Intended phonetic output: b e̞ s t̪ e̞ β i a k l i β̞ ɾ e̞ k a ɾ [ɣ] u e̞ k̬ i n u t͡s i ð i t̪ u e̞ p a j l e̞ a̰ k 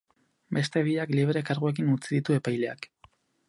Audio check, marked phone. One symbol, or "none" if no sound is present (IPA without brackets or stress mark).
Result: ɣ